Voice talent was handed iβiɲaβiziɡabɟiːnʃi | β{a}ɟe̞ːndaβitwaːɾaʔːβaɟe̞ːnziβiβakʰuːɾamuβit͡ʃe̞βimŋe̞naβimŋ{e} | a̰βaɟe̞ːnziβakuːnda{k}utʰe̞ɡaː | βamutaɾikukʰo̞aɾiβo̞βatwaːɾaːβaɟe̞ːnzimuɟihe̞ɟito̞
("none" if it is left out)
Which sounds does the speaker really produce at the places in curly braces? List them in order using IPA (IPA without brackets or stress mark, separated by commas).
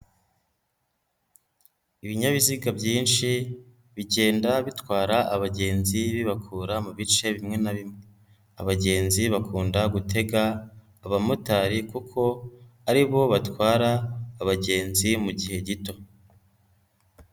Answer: i, e, ɡ